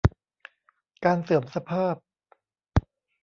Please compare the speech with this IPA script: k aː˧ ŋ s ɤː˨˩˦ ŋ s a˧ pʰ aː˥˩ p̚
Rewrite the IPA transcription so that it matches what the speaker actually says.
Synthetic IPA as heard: k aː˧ n s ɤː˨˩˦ m s a˧ pʰ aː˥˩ p̚